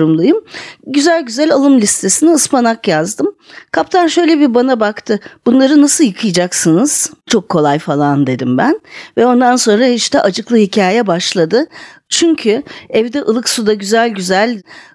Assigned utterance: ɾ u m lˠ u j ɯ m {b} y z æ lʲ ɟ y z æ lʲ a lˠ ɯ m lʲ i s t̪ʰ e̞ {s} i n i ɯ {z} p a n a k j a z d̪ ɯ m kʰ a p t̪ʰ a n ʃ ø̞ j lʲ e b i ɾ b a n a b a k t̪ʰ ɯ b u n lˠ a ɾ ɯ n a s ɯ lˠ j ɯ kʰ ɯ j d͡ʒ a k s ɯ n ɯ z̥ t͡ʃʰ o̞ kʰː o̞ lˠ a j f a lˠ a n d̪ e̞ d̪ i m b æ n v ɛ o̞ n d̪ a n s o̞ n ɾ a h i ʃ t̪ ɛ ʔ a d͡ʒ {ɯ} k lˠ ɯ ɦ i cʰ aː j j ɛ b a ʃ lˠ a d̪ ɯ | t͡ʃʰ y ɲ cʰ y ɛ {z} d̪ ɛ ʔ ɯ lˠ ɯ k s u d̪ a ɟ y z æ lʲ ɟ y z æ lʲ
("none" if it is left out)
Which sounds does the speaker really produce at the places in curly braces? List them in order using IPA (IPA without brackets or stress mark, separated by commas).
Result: ɟ, s, s, ɯ, v